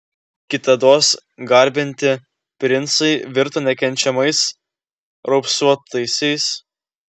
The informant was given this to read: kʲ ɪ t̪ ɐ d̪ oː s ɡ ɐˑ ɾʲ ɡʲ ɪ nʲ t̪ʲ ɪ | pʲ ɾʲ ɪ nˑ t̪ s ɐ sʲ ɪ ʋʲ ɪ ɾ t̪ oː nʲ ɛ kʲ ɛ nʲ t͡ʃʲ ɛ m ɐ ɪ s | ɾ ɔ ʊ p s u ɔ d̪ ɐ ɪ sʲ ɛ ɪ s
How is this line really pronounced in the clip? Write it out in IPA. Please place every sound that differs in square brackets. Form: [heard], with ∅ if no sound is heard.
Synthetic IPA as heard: kʲ ɪ t̪ ɐ d̪ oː s ɡ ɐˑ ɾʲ [bʲ] ɪ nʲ t̪ʲ ɪ | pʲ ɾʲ ɪ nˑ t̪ s ɐ [∅] ɪ ʋʲ ɪ ɾ t̪ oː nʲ ɛ kʲ ɛ nʲ t͡ʃʲ ɛ m ɐ ɪ s | ɾ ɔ ʊ p s u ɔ [t̪] ɐ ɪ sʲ ɛ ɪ s